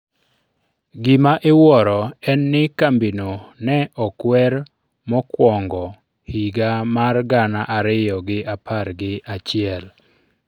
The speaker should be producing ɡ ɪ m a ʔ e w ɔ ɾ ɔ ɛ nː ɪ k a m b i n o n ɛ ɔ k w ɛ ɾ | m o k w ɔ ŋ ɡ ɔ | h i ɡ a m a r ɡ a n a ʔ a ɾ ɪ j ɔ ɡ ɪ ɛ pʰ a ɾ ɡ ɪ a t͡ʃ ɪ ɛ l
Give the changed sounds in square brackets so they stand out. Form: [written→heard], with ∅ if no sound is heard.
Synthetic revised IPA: ɡ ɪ m a ʔ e w ɔ ɾ ɔ ɛ nː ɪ k a m b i n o n ɛ ɔ k w ɛ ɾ | m [o→ɔ] k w ɔ ŋ ɡ ɔ | h i ɡ a m a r ɡ a n a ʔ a ɾ ɪ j ɔ ɡ ɪ [ɛ→a] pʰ a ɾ ɡ ɪ a t͡ʃ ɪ ɛ l